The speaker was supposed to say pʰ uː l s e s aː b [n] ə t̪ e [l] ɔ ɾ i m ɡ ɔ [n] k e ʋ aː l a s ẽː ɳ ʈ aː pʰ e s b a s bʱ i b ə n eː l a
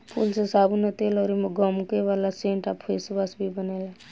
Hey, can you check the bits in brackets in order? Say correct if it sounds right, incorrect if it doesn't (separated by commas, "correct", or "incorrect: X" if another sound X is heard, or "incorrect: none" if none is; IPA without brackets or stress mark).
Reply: correct, correct, incorrect: m